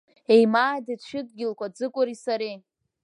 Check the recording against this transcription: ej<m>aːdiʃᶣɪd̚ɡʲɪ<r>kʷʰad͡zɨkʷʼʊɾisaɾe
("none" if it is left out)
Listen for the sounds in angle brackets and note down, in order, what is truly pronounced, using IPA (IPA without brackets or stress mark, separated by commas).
m, l